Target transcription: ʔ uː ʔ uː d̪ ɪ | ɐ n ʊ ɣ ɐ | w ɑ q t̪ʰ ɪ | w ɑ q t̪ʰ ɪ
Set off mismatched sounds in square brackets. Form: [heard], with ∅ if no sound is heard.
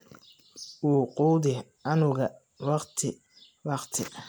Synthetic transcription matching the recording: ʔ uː [q] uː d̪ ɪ | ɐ n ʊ ɣ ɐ | w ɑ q t̪ʰ ɪ | w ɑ q t̪ʰ ɪ

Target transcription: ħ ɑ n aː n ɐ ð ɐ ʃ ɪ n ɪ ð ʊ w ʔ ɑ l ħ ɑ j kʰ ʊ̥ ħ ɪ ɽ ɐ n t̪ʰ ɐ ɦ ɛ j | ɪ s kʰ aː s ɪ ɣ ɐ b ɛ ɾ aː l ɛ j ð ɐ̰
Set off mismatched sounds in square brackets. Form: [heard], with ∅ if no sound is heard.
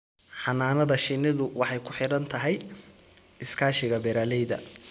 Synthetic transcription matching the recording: ħ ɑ n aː n ɐ ð ɐ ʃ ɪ n ɪ ð ʊ w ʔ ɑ [∅] ħ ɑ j kʰ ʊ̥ ħ ɪ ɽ ɐ n t̪ʰ ɐ ɦ ɛ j | ɪ s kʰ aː [ʃ] ɪ ɣ ɐ b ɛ ɾ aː l ɛ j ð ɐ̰

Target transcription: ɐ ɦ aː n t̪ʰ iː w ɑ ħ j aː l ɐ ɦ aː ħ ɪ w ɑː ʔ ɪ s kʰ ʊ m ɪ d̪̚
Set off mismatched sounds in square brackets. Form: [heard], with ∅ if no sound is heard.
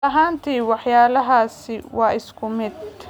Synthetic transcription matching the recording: ɐ ɦ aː n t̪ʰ iː w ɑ ħ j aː l ɐ ɦ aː [s] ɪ w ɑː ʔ ɪ s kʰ ʊ m ɪ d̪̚

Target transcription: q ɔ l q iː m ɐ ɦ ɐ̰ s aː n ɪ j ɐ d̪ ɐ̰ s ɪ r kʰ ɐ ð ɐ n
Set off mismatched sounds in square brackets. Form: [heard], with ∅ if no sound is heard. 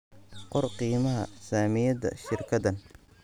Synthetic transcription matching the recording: q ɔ [r] q iː m ɐ ɦ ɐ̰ s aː [m] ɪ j ɐ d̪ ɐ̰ [ʃ] ɪ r kʰ ɐ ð ɐ n

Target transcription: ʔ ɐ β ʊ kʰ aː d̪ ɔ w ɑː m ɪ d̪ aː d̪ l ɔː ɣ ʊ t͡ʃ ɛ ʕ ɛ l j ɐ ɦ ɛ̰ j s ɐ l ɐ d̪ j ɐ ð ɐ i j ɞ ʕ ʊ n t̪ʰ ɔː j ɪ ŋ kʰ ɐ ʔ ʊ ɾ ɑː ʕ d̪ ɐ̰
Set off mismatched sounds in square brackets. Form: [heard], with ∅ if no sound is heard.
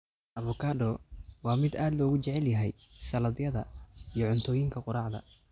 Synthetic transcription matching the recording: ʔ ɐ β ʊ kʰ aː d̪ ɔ w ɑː m ɪ d̪ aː d̪ l ɔː ɣ ʊ t͡ʃ ɛ ʕ ɛ l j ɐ ɦ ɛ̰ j s ɐ l ɐ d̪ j ɐ ð ɐ i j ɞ ʕ ʊ n t̪ʰ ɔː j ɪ ŋ kʰ ɐ [q] ʊ ɾ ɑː ʕ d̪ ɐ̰

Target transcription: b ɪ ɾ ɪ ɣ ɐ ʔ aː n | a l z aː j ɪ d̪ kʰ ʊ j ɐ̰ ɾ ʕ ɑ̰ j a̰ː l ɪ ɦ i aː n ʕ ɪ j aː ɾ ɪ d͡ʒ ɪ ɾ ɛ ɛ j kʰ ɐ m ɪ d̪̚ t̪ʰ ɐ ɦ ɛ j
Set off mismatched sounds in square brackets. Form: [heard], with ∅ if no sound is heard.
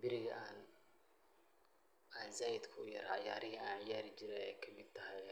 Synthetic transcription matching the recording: b ɪ ɾ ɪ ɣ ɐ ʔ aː n | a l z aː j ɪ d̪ kʰ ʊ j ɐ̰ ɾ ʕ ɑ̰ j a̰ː [ɾ] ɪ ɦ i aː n ʕ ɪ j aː ɾ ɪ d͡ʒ ɪ ɾ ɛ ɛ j kʰ ɐ m ɪ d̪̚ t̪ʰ ɐ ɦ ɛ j

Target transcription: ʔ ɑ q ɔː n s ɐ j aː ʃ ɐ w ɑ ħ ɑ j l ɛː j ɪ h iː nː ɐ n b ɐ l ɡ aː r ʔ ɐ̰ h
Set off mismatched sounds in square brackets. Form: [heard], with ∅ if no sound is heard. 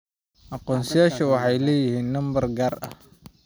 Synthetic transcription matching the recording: ʔ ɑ q ɔː n s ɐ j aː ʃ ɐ w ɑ ħ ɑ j l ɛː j ɪ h iː nː ɐ [m] b ɐ [r] ɡ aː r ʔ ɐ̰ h

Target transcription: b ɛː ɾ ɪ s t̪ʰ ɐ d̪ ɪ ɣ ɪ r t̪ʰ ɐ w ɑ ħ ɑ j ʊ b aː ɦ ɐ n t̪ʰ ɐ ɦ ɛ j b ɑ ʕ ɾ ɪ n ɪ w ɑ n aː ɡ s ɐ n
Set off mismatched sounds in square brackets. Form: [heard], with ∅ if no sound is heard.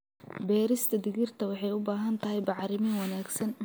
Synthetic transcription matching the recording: b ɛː ɾ ɪ s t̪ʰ ɐ d̪ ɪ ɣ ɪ r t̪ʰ ɐ w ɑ ħ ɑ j ʊ b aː ɦ ɐ n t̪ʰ ɐ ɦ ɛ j b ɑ ʕ ɾ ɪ [m] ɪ w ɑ n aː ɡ s ɐ n

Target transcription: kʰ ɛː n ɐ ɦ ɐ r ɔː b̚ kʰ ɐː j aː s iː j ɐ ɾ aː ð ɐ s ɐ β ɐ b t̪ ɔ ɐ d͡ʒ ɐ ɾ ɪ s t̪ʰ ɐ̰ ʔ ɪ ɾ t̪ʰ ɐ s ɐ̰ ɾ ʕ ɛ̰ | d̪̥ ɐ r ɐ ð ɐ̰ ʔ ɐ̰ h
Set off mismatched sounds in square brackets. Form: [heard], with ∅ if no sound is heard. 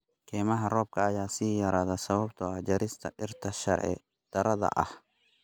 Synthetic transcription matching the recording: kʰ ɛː [m] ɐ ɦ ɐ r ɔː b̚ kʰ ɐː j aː s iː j ɐ ɾ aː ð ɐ s ɐ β ɐ b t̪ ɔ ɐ d͡ʒ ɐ ɾ ɪ s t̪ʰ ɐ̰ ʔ ɪ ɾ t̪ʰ ɐ [ʃ] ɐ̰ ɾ ʕ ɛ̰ | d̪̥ ɐ [ɾ] ɐ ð ɐ̰ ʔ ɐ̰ h

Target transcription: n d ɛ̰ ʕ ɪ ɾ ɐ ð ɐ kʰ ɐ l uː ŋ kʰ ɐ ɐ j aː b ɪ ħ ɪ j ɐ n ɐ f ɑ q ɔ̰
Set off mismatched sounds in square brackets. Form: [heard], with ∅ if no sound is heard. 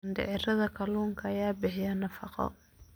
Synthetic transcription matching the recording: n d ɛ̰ ʕ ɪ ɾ ɐ ð ɐ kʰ ɐ l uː ŋ kʰ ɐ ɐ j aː b ɪ ħ ɪ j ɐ n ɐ f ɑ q ɔ̰

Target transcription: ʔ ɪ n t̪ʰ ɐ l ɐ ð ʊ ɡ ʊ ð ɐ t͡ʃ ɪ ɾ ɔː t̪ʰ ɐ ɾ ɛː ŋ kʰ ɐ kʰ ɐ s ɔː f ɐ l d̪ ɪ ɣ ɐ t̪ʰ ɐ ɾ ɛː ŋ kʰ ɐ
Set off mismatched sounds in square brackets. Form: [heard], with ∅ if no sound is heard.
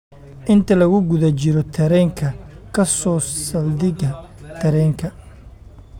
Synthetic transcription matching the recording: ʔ ɪ n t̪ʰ ɐ l ɐ [ɣ] ʊ ɡ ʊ ð ɐ t͡ʃ ɪ ɾ [ɔ] t̪ʰ ɐ ɾ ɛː ŋ kʰ ɐ kʰ ɐ s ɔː [s] ɐ l d̪ ɪ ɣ ɐ t̪ʰ ɐ ɾ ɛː ŋ kʰ ɐ

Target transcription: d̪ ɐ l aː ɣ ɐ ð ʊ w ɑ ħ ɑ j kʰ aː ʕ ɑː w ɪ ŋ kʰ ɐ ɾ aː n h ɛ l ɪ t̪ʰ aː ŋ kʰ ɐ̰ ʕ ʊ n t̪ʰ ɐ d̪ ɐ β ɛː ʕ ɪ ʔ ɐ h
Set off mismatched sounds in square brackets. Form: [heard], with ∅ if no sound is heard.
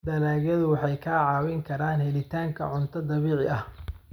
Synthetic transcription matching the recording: d̪ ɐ l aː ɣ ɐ ð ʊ w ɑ ħ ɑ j kʰ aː ʕ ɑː w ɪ ŋ kʰ ɐ ɾ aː n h ɛ l ɪ t̪ʰ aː ŋ kʰ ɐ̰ ʕ ʊ n t̪ʰ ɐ d̪ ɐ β [iː] ʕ ɪ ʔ ɐ h

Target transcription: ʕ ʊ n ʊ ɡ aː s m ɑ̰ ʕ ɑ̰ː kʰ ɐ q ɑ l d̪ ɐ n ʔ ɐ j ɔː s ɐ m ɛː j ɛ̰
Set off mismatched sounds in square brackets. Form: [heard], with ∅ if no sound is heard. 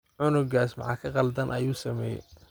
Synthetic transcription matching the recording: ʕ ʊ n ʊ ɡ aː s m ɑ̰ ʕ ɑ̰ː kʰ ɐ q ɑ l d̪ ɐ n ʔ ɐ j [uː] s ɐ m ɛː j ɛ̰

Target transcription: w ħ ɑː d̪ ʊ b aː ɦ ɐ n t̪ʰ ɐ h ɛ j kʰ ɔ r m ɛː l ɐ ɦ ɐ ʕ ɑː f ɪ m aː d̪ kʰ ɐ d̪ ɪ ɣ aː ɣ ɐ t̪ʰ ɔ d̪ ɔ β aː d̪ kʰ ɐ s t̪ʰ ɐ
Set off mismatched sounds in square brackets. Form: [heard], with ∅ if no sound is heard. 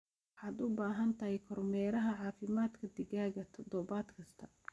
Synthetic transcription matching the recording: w ħ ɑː d̪ ʊ b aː ɦ ɐ n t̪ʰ ɐ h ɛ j kʰ ɔ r m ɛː [ɾ] ɐ ɦ ɐ ʕ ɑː f ɪ m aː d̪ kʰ ɐ d̪ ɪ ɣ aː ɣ ɐ t̪ʰ ɔ d̪ ɔ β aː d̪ kʰ ɐ s t̪ʰ ɐ

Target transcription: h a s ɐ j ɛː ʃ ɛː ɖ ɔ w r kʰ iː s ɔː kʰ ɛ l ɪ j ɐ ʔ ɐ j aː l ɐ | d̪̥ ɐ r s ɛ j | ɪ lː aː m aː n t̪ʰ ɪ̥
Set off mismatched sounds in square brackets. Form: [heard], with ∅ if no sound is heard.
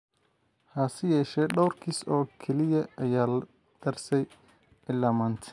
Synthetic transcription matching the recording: h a s ɐ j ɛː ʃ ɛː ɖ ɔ w r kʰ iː s ɔː kʰ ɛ l ɪ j ɐ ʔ ɐ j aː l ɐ | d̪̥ ɐ r s ɛ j | ɪ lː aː m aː n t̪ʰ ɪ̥

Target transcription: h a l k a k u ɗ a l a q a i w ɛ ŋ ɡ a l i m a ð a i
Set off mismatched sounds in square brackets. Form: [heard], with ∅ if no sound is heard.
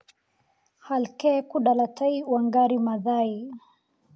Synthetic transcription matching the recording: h a l k [ɛ] k u ɗ a l a [t] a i w [a] ŋ ɡ a [ɾ] i m a ð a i

